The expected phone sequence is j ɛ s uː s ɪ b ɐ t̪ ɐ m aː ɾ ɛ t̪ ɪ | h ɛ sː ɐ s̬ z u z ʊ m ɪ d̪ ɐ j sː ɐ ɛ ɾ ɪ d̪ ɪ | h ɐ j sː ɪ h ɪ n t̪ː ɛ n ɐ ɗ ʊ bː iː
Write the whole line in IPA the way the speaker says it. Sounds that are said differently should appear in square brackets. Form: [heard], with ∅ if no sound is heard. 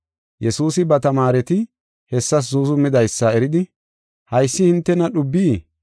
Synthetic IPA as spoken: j ɛ s uː s ɪ b ɐ t̪ ɐ m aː ɾ ɛ t̪ ɪ | h ɛ sː ɐ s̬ z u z ʊ m ɪ d̪ ɐ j sː ɐ ɛ ɾ ɪ d̪ ɪ | h ɐ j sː ɪ h ɪ n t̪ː ɛ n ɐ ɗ ʊ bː iː